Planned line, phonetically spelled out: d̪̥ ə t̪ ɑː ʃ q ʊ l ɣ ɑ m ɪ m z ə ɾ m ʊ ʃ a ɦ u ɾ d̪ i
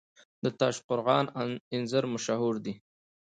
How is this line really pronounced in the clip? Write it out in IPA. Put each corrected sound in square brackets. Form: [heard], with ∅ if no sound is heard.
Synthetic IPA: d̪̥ ə t̪ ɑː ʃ q ʊ [ɾ] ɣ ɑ [n] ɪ [n] z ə ɾ m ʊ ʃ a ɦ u ɾ d̪ i